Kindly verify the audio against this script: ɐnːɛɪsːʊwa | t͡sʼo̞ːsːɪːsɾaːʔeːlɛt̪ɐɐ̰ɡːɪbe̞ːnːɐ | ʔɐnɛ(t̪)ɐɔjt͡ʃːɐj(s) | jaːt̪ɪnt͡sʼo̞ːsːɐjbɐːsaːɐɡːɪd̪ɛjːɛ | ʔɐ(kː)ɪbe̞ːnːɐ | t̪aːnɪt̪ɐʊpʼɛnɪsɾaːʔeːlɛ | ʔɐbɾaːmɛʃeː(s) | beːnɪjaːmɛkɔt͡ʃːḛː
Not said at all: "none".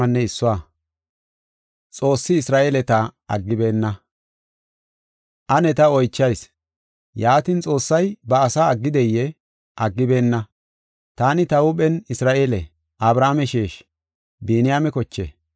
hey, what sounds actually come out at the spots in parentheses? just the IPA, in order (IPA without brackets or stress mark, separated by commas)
t̪, s, ɡː, ʃ